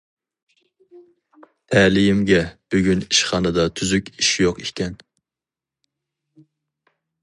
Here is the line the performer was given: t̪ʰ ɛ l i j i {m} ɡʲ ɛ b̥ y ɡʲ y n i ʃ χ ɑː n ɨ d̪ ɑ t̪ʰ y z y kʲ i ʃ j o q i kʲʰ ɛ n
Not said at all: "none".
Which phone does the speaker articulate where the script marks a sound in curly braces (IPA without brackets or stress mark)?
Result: m